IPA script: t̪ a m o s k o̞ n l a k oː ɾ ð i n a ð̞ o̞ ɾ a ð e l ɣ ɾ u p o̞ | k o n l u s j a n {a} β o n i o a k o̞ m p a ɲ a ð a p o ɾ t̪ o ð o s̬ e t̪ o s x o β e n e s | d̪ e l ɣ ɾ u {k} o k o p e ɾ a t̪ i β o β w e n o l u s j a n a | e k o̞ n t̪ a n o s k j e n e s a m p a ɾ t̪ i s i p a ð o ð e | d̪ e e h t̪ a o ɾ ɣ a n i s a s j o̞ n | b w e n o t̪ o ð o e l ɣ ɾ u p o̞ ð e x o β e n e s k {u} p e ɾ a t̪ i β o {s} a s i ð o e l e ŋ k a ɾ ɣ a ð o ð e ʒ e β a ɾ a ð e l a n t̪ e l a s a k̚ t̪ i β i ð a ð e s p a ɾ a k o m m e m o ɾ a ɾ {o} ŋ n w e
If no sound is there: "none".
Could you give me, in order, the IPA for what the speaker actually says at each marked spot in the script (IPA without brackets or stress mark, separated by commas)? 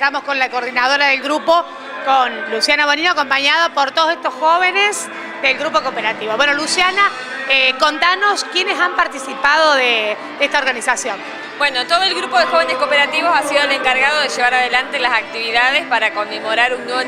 a, p, o, s, u